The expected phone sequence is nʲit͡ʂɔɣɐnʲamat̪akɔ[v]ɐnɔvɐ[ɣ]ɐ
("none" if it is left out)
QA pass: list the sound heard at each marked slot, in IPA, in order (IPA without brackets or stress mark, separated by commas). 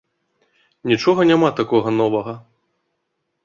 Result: ɣ, ɣ